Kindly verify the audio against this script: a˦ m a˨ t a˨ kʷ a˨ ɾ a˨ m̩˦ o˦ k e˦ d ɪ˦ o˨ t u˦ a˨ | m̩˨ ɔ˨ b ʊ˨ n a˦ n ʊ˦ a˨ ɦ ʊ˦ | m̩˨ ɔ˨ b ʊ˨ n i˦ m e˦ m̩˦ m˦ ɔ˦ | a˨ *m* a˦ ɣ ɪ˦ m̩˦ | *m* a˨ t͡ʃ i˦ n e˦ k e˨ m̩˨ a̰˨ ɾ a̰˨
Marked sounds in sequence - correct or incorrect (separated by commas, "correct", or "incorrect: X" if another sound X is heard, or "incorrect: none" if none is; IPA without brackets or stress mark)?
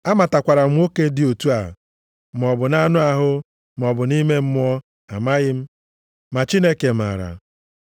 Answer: correct, correct